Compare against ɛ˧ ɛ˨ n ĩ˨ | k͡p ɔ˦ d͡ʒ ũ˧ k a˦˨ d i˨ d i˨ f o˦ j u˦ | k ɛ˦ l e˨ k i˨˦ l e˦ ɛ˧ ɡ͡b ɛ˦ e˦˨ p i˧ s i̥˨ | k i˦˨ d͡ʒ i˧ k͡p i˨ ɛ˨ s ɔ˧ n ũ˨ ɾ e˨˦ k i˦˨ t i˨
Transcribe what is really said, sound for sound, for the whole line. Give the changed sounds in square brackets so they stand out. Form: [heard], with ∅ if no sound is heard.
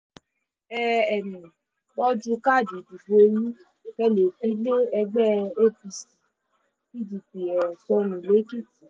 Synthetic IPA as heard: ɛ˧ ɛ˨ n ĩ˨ | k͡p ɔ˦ d͡ʒ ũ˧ k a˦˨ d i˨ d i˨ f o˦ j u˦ | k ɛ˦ l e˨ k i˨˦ l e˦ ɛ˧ ɡ͡b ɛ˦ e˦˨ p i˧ s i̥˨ | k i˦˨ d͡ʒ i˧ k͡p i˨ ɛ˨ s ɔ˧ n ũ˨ [l] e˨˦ k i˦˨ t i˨